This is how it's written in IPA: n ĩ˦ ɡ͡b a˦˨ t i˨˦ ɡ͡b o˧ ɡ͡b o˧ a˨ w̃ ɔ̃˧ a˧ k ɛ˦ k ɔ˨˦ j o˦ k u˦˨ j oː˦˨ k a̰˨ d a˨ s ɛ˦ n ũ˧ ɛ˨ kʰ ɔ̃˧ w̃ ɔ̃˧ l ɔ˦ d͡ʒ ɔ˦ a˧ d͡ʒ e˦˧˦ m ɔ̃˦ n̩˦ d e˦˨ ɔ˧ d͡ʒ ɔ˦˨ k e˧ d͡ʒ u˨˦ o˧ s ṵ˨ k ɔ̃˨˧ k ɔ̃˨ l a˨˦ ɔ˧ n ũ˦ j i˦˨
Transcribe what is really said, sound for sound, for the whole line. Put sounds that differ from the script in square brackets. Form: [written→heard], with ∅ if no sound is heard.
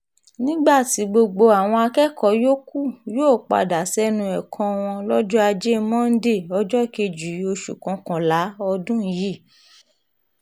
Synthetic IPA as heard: n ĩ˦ ɡ͡b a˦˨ t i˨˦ ɡ͡b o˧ ɡ͡b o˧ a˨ w̃ ɔ̃˧ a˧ k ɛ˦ k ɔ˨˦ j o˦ k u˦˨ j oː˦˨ [k→k͡p] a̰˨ d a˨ s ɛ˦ n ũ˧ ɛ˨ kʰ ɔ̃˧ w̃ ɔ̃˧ l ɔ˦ d͡ʒ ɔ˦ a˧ d͡ʒ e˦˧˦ m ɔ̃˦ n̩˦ d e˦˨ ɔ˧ d͡ʒ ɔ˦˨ k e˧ d͡ʒ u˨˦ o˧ [s→ʃ] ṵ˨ k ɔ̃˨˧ k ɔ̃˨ l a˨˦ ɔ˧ [n→d] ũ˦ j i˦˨